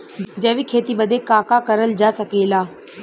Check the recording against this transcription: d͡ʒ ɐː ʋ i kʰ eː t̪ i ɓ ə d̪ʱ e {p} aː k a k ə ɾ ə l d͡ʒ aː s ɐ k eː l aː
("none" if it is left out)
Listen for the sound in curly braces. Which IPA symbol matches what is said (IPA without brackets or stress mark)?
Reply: k